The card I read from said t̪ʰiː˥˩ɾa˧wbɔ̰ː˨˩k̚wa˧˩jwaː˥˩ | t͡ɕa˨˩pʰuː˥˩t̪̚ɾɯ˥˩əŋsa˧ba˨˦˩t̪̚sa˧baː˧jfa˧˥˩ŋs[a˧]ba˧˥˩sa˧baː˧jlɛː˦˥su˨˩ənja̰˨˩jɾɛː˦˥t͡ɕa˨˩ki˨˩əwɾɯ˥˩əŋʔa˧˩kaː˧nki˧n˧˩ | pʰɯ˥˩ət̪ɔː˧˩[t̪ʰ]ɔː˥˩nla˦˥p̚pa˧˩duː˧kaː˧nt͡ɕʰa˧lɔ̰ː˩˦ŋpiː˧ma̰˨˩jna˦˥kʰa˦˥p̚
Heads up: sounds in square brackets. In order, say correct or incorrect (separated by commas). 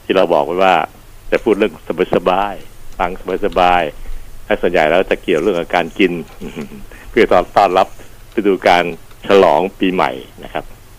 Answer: correct, incorrect